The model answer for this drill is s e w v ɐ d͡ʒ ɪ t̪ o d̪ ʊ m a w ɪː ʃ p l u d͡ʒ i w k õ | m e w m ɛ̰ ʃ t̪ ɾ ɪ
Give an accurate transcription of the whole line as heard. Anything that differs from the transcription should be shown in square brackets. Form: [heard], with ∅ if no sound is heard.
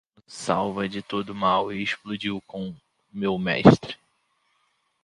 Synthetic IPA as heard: s [a] w v ɐ d͡ʒ ɪ t̪ o d̪ ʊ m a w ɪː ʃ p l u d͡ʒ i w k õ | m e w m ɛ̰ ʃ t̪ ɾ ɪ

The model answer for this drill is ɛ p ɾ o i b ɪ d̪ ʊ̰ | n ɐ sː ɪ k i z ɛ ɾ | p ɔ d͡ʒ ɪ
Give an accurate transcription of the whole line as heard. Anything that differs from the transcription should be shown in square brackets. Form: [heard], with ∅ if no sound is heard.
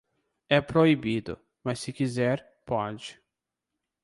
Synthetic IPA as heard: ɛ p ɾ o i b [i] d̪ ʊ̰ | [m] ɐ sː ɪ k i z ɛ ɾ | p ɔ d͡ʒ ɪ

